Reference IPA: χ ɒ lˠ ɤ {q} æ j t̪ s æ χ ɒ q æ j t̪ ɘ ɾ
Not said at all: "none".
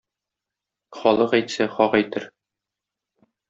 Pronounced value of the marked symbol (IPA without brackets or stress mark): q